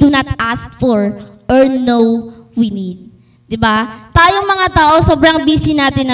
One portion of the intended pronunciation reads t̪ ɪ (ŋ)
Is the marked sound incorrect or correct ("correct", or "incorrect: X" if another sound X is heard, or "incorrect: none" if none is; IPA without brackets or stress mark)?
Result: incorrect: n